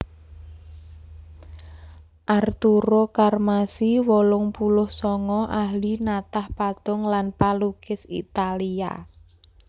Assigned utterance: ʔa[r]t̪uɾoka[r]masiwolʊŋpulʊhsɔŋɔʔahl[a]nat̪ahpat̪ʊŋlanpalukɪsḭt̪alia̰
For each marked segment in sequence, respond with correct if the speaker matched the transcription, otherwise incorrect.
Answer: correct, correct, incorrect: i

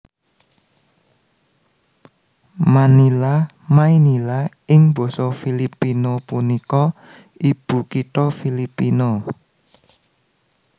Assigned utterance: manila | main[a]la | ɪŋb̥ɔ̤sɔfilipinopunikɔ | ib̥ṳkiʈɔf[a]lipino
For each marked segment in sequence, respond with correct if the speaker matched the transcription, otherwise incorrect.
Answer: incorrect: i, incorrect: i

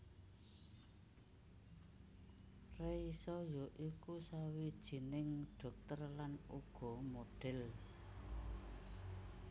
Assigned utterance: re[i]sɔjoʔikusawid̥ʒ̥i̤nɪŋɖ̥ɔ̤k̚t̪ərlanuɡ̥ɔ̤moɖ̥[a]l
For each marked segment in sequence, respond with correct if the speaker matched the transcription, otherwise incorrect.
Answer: correct, incorrect: ɛ

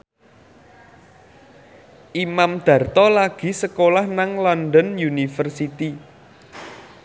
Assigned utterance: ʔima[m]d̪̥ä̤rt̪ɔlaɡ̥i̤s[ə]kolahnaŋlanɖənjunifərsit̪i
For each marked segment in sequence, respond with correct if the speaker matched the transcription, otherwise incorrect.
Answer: correct, correct

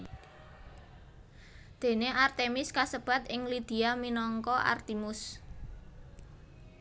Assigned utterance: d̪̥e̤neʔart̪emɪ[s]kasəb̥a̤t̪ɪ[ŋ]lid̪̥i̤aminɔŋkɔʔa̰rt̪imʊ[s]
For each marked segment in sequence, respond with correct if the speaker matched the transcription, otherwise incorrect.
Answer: correct, correct, correct

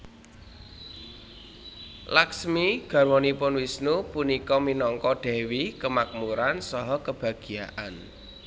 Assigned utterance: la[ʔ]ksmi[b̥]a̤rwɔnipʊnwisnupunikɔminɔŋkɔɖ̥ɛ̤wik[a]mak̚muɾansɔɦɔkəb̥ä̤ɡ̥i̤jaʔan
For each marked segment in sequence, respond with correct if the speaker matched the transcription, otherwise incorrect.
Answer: incorrect: none, incorrect: ɡ̥, incorrect: ə

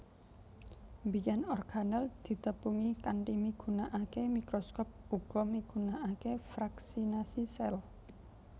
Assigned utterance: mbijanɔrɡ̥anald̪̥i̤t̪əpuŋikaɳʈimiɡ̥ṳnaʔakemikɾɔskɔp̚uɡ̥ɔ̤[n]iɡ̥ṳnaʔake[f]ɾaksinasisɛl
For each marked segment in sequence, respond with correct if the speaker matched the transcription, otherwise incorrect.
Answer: incorrect: m, correct

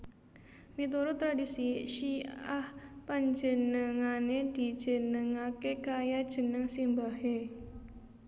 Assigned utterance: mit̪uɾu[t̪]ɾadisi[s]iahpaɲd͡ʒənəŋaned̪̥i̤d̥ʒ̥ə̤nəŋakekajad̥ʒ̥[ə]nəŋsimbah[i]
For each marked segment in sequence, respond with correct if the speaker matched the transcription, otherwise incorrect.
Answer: correct, incorrect: ʃ, correct, incorrect: e

